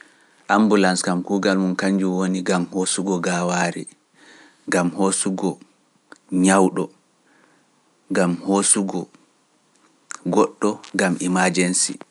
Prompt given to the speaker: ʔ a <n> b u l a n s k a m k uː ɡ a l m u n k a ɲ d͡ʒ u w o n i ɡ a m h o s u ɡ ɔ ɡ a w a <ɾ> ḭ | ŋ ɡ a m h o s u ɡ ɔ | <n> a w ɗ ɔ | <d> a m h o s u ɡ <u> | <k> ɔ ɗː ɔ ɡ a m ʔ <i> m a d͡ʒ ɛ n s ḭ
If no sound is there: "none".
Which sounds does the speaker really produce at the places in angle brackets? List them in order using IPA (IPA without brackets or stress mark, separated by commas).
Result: m, ɾ, ɲ, ɡ, ɔ, ɡ, i